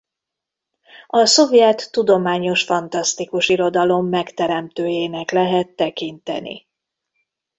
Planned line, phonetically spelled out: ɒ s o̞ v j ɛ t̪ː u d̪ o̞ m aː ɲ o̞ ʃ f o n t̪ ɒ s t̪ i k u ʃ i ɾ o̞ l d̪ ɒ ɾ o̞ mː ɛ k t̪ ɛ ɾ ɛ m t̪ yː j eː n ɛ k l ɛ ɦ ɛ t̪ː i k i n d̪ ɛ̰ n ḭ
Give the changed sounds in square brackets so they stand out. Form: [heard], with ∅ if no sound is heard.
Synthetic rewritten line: ɒ s o̞ v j ɛ t̪ː u d̪ o̞ m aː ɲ o̞ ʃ f [ɒ] n t̪ ɒ s t̪ i k u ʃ i ɾ o̞ [∅] d̪ ɒ [l] o̞ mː ɛ k t̪ ɛ ɾ ɛ m t̪ [øː] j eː n ɛ k l ɛ ɦ ɛ t̪ː [ɛ] k i n [t̪] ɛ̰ n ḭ